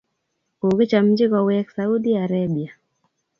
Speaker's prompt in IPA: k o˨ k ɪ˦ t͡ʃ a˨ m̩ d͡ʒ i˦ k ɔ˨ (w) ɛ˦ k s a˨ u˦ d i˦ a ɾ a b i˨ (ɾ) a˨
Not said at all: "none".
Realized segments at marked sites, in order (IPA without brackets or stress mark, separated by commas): w, none